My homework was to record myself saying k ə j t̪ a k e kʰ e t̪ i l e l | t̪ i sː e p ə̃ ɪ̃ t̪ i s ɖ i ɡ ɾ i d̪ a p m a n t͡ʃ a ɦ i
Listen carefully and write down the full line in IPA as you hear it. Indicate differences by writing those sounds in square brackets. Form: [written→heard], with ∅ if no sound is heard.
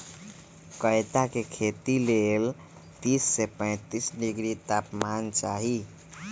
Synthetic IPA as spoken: k ə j t̪ a k e kʰ e t̪ i l e l | t̪ i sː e p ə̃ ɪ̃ t̪ i s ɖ i ɡ ɾ i [d̪→t̪] a p m a n t͡ʃ a ɦ i